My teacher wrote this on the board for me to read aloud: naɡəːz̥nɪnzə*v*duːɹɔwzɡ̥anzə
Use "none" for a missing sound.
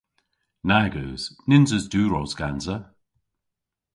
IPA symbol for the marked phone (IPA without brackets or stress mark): z